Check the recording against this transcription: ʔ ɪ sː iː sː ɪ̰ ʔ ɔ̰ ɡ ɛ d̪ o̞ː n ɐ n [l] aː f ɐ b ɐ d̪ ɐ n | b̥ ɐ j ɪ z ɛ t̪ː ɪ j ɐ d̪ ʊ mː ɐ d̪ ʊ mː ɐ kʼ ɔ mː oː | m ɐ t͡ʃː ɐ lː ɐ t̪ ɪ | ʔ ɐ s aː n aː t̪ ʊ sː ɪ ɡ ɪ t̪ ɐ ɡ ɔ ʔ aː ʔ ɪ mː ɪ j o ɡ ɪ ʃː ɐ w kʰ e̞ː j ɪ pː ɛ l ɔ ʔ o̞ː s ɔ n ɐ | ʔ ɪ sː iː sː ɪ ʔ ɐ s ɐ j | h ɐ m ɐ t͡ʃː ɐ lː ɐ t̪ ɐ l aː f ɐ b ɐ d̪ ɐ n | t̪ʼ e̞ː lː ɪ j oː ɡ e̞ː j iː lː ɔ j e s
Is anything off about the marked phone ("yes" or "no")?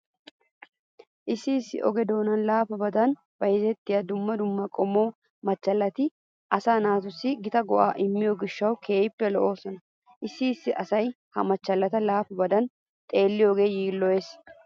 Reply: no